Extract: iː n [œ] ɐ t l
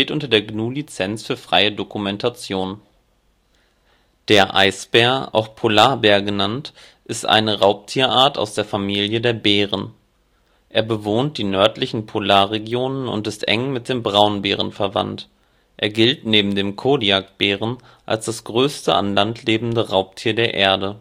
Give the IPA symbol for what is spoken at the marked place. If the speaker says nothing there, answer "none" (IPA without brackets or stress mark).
œ